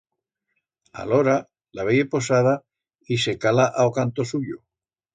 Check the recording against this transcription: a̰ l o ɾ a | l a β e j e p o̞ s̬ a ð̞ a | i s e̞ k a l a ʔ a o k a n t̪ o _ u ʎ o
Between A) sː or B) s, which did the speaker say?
B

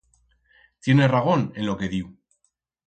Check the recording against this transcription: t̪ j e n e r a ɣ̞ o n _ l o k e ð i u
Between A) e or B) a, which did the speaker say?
A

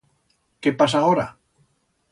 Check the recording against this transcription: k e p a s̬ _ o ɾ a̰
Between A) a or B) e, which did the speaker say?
A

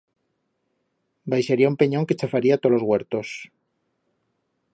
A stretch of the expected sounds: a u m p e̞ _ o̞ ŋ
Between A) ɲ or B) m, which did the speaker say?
A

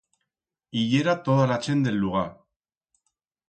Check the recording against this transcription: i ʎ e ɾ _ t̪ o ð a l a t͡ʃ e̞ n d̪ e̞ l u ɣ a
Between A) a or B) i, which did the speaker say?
A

